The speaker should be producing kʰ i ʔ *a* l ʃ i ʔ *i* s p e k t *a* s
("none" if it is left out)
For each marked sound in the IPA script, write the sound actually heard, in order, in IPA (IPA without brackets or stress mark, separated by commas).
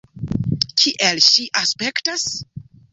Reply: e, a, a